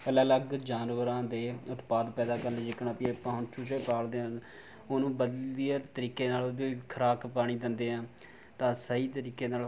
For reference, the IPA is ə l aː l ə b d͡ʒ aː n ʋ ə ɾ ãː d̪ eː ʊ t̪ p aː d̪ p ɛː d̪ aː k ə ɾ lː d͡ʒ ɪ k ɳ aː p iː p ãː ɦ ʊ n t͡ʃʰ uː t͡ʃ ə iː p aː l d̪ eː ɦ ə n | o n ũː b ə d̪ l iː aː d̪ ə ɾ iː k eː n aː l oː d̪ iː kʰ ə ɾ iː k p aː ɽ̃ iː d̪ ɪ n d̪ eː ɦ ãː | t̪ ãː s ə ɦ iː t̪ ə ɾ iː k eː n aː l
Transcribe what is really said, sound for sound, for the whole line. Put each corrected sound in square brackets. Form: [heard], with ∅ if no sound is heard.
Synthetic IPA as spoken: ə l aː l ə [ɡ] d͡ʒ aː n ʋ ə ɾ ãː d̪ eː ʊ t̪ p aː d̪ p ɛː d̪ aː k ə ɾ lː d͡ʒ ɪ k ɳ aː p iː p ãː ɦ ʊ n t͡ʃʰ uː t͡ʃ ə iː p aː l d̪ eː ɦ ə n | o n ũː b ə d̪ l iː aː [t̪] ə ɾ iː k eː n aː l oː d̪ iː kʰ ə ɾ [aː] k p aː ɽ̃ iː d̪ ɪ n d̪ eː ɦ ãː | t̪ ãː s ə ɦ iː t̪ ə ɾ iː k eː n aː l